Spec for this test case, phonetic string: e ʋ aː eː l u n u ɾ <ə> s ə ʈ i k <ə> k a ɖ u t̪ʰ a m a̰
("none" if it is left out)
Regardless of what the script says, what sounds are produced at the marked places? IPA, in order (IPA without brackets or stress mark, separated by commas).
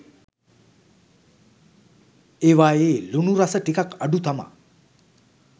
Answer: a, a